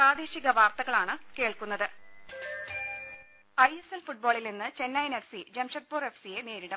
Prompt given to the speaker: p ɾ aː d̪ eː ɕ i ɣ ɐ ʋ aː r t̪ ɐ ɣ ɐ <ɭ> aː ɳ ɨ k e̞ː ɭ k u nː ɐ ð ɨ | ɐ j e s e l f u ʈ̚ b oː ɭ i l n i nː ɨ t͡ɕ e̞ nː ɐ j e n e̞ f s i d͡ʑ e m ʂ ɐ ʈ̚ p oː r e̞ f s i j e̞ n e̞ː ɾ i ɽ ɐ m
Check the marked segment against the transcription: correct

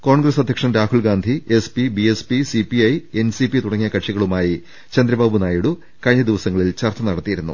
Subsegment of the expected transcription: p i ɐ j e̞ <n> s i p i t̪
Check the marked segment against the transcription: correct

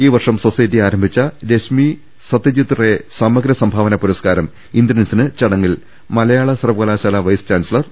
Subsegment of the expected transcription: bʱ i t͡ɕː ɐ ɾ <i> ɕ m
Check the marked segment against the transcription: incorrect: e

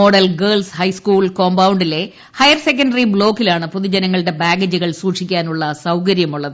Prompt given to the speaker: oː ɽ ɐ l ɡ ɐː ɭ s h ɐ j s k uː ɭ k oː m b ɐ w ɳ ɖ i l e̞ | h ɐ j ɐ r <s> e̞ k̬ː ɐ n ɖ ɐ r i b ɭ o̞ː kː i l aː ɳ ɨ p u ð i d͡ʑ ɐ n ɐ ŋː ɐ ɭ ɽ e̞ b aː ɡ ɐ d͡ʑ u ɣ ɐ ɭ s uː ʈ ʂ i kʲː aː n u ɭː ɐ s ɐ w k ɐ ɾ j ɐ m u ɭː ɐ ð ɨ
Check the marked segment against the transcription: correct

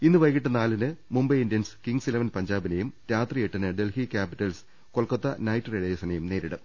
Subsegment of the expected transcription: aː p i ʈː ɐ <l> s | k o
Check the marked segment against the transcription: correct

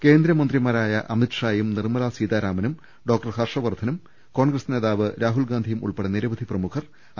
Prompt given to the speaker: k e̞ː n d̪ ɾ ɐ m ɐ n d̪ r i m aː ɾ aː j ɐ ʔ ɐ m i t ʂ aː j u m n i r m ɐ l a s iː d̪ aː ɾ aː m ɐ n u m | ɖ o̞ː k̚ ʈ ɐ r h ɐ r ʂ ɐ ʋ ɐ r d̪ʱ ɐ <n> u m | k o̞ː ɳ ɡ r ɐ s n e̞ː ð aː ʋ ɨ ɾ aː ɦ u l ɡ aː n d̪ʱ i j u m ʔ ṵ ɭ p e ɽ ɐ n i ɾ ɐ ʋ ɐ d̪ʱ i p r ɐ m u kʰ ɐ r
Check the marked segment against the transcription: correct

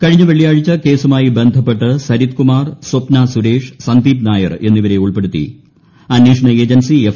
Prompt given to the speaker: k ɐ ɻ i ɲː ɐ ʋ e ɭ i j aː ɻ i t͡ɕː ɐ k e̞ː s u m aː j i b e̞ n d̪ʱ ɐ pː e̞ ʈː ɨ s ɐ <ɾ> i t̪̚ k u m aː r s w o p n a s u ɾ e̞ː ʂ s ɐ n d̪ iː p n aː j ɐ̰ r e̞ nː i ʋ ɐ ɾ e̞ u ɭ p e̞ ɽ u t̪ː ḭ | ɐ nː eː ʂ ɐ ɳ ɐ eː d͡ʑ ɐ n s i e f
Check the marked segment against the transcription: correct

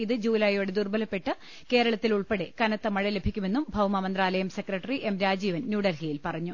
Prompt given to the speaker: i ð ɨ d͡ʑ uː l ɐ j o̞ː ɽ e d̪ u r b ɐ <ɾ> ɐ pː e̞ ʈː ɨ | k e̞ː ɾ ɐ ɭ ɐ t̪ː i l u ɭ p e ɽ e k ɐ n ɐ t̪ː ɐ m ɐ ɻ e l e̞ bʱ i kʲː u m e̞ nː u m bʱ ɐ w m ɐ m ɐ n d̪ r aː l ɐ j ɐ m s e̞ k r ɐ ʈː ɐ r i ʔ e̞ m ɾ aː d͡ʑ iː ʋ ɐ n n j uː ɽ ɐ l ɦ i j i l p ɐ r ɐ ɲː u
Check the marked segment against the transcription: incorrect: l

